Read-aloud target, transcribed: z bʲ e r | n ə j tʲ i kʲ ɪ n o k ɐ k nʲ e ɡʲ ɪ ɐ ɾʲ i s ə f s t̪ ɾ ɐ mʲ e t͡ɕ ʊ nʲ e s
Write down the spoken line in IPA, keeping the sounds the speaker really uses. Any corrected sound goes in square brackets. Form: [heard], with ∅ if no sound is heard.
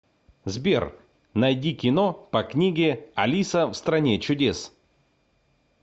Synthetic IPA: z bʲ e r | n [ɐ] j [dʲ] i kʲ ɪ n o [p] ɐ k nʲ [i] ɡʲ ɪ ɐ [lʲ] i s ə f s t̪ ɾ ɐ [nʲ] e t͡ɕ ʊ [dʲ] e s